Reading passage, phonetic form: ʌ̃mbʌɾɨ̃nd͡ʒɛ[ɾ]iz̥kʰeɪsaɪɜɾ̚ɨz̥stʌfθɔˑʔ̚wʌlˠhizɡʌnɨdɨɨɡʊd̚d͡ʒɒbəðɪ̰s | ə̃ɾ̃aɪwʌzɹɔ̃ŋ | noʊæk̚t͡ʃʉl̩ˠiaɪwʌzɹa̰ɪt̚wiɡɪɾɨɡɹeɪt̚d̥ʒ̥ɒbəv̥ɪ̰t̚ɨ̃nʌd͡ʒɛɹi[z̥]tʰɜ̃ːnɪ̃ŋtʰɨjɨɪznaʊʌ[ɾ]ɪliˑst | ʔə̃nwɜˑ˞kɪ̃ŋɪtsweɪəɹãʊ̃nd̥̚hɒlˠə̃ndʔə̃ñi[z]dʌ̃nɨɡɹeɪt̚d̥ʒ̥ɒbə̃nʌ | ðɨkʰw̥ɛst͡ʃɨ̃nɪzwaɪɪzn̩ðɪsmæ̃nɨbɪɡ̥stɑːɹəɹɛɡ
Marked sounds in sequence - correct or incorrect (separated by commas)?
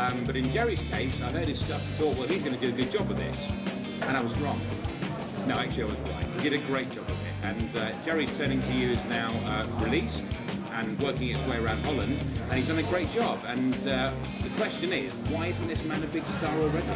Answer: incorrect, correct, incorrect, correct